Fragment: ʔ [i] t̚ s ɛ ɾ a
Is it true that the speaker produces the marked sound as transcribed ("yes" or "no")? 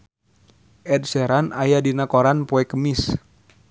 no